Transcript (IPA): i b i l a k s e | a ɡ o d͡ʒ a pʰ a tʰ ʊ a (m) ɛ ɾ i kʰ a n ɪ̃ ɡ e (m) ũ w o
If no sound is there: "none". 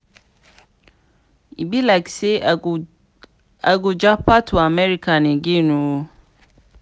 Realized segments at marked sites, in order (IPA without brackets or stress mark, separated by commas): m, n